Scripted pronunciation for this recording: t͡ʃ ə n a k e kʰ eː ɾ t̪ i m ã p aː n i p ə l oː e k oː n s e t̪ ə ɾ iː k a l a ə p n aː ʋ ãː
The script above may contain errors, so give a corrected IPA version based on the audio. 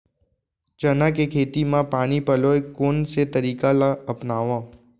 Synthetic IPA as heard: t͡ʃ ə n a k e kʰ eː t̪ i m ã p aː n i p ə l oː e k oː n s e t̪ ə ɾ iː k a l a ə p n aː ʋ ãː

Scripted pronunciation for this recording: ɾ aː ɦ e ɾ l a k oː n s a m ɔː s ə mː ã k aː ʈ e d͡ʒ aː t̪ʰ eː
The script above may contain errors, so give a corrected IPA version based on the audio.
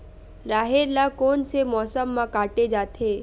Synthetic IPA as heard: ɾ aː ɦ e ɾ l a k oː n s e m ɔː s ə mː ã k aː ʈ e d͡ʒ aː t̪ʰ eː

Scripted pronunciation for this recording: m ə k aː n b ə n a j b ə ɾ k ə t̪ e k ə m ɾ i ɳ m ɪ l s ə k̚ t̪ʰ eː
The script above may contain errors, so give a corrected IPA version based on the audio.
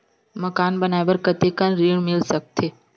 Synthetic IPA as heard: m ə k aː n b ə n a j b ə ɾ k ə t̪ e k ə n ɾ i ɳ m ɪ l s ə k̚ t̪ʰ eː

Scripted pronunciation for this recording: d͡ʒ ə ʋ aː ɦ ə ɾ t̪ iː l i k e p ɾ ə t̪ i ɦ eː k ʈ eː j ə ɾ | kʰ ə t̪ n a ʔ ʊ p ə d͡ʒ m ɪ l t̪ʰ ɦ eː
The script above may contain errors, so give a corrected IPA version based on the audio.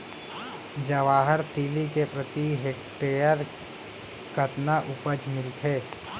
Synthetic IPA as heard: d͡ʒ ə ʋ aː ɦ ə ɾ t̪ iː l i k e p ɾ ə t̪ i ɦ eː k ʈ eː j ə ɾ | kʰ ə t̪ n a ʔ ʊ p ə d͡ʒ m ɪ l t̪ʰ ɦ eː

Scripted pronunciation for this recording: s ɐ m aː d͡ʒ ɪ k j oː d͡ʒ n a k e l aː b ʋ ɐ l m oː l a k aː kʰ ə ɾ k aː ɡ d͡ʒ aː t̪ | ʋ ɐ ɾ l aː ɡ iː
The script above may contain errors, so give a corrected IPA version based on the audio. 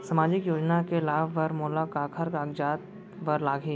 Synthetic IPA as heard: s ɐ m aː d͡ʒ ɪ k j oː d͡ʒ n a k e l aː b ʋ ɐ ɾ m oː l a k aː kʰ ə ɾ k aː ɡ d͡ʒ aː t̪ | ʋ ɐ ɾ l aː ɡ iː

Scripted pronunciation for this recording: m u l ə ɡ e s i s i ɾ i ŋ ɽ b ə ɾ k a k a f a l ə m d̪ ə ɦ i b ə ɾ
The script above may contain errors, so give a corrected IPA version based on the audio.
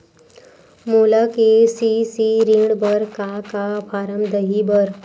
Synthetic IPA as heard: m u l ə k e s i s i ɾ i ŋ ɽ b ə ɾ k a k a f a ɾ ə m d̪ ə ɦ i b ə ɾ

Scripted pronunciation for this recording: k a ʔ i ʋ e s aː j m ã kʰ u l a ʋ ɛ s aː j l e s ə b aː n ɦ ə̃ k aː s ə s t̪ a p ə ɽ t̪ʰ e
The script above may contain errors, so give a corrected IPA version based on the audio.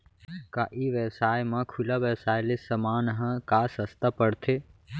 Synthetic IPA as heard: k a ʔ i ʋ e s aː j m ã kʰ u l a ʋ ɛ s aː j l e s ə m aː n ɦ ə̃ k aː s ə s t̪ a p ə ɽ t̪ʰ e

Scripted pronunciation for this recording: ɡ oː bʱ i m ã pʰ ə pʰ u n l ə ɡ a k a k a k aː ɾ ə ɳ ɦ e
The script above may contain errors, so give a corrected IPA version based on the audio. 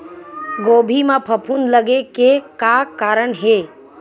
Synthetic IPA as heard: ɡ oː bʱ i m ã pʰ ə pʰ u n l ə ɡ e k e k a k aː ɾ ə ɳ ɦ e

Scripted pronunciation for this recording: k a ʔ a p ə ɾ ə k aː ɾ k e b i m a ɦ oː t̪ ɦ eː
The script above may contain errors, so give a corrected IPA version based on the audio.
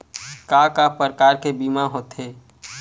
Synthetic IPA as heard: k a k a p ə ɾ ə k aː ɾ k e b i m a ɦ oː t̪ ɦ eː

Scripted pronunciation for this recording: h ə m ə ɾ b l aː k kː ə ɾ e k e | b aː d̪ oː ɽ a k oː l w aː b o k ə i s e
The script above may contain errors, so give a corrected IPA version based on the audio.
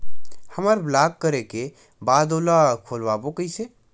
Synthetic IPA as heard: h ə m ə ɾ b l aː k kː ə ɾ e k e | b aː d̪ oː l a kʰ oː l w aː b o k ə i s e

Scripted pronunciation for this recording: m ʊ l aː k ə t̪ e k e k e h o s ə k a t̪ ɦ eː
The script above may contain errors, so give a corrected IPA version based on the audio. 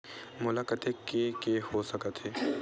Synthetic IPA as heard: m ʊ l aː k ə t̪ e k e k e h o s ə k ə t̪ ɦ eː

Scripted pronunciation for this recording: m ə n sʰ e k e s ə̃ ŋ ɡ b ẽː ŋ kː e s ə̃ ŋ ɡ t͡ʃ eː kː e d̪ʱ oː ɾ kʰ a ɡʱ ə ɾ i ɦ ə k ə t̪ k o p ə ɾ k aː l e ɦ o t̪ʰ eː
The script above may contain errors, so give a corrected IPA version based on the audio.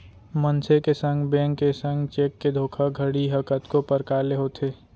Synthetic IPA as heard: m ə n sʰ e k e s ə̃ ŋ ɡ b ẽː ŋ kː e s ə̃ ŋ ɡ t͡ʃ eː kː e d̪ʱ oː kʰ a ɡʱ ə ɽ i ɦ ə k ə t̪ k o p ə ɾ k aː l e ɦ o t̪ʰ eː

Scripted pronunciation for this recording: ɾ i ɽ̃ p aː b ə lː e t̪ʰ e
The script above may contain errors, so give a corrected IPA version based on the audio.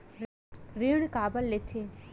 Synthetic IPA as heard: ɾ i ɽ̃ k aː b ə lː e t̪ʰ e

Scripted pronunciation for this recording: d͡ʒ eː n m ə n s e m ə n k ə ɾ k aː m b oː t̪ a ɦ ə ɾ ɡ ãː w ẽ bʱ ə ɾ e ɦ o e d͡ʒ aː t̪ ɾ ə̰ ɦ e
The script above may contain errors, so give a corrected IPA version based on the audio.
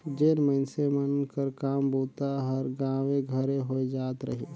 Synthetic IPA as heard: d͡ʒ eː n m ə n s e m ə n k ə ɾ k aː m b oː t̪ a ɦ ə ɾ ɡ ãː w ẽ ɡʱ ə ɾ e ɦ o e d͡ʒ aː t̪ ɾ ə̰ ɦ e

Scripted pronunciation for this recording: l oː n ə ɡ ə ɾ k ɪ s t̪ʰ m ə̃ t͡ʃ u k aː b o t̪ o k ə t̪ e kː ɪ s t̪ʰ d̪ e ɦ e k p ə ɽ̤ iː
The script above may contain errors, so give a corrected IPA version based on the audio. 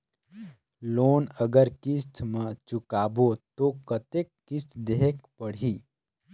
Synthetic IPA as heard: l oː n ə ɡ ə ɾ k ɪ s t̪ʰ m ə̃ t͡ʃ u k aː b o t̪ o k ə t̪ e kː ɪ s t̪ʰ d̪ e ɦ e k p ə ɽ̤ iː

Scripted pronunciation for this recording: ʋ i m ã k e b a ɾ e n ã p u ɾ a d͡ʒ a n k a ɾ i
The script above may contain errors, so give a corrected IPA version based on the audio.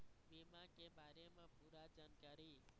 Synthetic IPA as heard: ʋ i m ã k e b a ɾ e m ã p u ɾ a d͡ʒ a n k a ɾ i

